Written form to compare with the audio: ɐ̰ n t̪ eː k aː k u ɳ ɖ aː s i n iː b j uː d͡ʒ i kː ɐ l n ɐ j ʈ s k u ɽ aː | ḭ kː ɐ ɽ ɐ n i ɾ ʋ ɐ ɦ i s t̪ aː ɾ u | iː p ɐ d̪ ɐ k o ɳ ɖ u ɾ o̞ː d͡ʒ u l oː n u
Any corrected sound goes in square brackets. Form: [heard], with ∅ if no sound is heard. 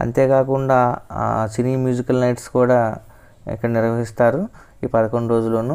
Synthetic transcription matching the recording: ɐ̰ n t̪ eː k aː k u ɳ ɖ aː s i n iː [m] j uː d͡ʒ i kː ɐ l n ɐ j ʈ s k [uː] ɽ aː | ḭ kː ɐ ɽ ɐ n i ɾ ʋ ɐ ɦ i s t̪ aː ɾ u | iː p ɐ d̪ ɐ k o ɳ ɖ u ɾ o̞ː d͡ʒ u l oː n u